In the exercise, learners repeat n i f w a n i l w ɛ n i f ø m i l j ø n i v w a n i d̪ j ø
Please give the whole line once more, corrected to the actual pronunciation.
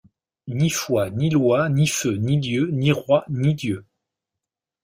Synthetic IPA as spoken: n i f w a n i l w a n i f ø n i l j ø n i ʁ w a n i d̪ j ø